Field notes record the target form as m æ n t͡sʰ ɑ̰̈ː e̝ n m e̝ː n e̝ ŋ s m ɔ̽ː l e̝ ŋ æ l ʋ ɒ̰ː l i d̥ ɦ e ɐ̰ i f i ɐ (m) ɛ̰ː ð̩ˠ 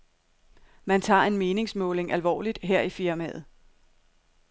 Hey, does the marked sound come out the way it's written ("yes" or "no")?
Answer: yes